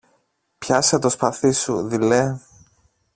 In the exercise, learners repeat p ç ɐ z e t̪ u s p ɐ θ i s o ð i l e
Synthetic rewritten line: p ç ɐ s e t̪ o s p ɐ θ i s u ð i l e